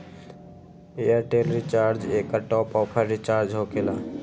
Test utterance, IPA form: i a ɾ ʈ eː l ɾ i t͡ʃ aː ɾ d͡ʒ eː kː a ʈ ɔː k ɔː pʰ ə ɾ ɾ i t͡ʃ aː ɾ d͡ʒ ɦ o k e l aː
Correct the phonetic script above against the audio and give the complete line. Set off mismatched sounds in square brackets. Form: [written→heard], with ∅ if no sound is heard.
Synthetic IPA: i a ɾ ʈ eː l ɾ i t͡ʃ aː ɾ d͡ʒ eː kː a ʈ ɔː [k→p] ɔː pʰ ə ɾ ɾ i t͡ʃ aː ɾ d͡ʒ ɦ o k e l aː